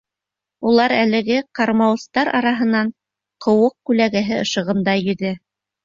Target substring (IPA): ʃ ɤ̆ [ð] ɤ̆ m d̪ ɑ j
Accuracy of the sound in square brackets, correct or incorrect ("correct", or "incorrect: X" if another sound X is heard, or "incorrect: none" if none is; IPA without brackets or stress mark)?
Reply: incorrect: ʁ